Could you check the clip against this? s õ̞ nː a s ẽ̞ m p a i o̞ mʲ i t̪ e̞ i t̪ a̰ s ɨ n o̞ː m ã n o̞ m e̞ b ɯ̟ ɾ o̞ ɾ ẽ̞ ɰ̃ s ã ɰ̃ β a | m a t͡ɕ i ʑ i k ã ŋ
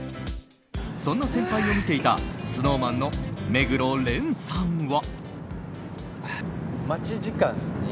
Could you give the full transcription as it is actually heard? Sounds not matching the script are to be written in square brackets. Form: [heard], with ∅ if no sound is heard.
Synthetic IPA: s õ̞ nː a s ẽ̞ m p a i o̞ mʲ i t̪ e̞ i t̪ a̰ s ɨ n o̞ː m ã [nː] o̞ m e̞ [ɡ] ɯ̟ ɾ o̞ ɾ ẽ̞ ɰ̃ s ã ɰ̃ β a | m a t͡ɕ i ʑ i k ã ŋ

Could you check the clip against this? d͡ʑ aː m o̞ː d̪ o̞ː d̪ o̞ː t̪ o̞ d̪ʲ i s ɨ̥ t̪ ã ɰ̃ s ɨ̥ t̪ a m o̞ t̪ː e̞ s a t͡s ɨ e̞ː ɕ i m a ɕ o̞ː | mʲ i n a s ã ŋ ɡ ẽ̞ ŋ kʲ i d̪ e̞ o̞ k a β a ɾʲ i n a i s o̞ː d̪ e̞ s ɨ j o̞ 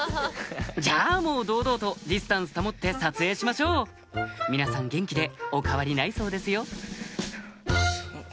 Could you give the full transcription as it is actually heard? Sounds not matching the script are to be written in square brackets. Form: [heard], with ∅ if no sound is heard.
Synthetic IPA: d͡ʑ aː m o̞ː d̪ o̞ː d̪ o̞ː t̪ o̞ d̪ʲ i s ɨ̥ t̪ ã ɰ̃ s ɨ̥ t̪ a m o̞ t̪ː e̞ s a t͡s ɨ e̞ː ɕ i m a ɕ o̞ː | mʲ i n a s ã ŋ ɡ ẽ̞ ŋ kʲ i d̪ e̞ o̞ k a β a ɾʲ i n a i s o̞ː d̪ e̞ s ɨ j o̞

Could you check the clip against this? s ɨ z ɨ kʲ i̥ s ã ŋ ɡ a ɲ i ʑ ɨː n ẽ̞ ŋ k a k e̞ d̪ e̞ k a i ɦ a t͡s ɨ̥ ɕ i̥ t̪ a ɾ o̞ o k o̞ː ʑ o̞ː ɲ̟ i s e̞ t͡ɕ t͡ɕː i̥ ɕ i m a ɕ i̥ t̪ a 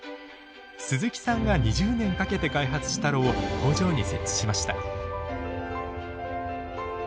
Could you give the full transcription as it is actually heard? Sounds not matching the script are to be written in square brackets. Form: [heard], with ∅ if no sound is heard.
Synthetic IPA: s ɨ z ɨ kʲ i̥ s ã ŋ ɡ a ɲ i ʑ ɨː n ẽ̞ ŋ k a k e̞ [t̪] e̞ k a i ɦ a t͡s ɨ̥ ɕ i̥ t̪ a ɾ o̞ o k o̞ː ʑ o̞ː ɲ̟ i s e̞ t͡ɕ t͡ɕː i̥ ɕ i m a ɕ i̥ t̪ a

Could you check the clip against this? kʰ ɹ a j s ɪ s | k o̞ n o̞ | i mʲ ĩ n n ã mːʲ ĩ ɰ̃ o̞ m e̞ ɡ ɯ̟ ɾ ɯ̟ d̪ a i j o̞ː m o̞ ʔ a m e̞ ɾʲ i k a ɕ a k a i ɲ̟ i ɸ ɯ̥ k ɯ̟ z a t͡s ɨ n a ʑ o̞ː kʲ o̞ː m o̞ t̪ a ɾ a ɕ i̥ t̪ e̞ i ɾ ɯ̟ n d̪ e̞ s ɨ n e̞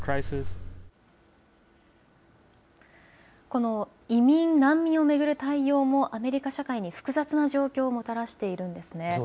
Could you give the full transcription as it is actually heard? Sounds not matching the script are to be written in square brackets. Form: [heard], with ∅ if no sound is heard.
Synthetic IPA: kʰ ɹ a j s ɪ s | k o̞ n o̞ | i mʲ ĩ n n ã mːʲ ĩ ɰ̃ o̞ m e̞ ɡ ɯ̟ ɾ ɯ̟ [t̪] a i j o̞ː m o̞ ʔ a m e̞ ɾʲ i k a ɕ a k a i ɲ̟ i ɸ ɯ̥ k ɯ̟ z a t͡s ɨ n a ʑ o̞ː kʲ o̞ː m o̞ t̪ a ɾ a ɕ i̥ t̪ e̞ i ɾ [ɯ̟̃] n d̪ e̞ s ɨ n e̞

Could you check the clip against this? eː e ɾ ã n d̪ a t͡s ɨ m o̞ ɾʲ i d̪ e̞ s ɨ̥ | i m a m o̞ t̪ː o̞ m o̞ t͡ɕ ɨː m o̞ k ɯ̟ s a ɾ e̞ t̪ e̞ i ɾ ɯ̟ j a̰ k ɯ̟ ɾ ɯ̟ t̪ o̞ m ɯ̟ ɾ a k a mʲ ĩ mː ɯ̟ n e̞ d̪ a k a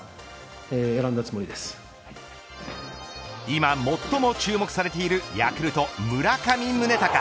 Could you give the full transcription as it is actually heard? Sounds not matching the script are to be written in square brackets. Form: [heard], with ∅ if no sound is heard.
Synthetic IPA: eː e ɾ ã n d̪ a t͡s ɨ m o̞ ɾʲ i d̪ e̞ s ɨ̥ | i m a m o̞ t̪ː o̞ m o̞ t͡ɕ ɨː m o̞ k ɯ̟ s a ɾ e̞ t̪ e̞ i ɾ ɯ̟ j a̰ k ɯ̟ ɾ ɯ̟ t̪ o̞ m ɯ̟ ɾ a k a mʲ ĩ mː ɯ̟ n e̞ [t̪] a k a

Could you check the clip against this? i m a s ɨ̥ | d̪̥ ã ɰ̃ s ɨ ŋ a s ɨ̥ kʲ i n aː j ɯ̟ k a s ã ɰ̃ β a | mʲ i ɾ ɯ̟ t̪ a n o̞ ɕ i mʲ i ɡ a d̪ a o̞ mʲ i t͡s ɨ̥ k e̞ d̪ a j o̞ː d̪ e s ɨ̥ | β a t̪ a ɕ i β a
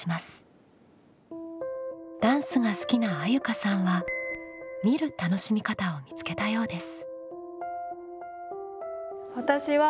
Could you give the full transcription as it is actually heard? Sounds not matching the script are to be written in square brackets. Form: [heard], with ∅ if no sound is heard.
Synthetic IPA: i m a s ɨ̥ | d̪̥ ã ɰ̃ s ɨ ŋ a s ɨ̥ kʲ i n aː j ɯ̟ k a s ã ɰ̃ β a | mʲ i ɾ ɯ̟ t̪ a n o̞ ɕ i mʲ i [k] a [t̪] a o̞ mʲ i t͡s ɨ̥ k e̞ [t̪] a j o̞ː d̪ e s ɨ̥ | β a t̪ a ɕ i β a

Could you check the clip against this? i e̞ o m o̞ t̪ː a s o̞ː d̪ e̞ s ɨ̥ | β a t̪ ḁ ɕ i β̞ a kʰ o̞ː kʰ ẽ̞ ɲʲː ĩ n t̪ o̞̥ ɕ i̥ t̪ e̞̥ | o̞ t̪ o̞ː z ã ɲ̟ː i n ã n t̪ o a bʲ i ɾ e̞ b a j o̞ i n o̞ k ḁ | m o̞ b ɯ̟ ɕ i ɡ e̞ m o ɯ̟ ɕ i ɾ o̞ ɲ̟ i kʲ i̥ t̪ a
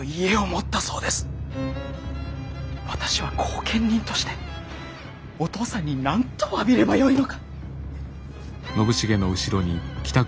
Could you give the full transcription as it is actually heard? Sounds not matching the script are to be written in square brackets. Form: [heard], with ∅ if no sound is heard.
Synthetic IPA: i e̞ o m o̞ t̪ː a s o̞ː d̪ e̞ s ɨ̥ | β a t̪ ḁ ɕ i β̞ a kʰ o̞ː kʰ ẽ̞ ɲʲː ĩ n t̪ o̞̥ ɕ i̥ t̪ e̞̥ | o̞ t̪ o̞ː [s] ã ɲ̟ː i n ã n t̪ o a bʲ i ɾ e̞ b a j o̞ i n o̞ k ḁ | [n] o̞ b ɯ̟ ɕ i ɡ e̞ [n] o ɯ̟ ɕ i ɾ o̞ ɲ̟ i kʲ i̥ t̪ a

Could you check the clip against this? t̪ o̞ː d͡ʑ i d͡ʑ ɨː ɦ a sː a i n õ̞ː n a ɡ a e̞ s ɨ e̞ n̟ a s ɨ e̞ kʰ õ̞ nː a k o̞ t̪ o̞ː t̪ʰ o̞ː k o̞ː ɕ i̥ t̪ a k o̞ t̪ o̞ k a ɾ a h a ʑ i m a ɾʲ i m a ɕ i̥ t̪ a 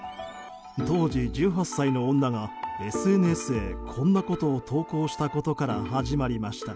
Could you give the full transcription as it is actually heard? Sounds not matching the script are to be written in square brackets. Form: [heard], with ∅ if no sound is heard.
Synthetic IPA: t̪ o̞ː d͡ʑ i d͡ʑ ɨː ɦ a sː a i n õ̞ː [nː] a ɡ a e̞ s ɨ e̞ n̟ [e] s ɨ e̞ kʰ õ̞ nː a k o̞ t̪ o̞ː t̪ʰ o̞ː k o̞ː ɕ i̥ t̪ a k o̞ t̪ o̞ k a ɾ a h a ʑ i m a ɾʲ i m a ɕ i̥ t̪ a

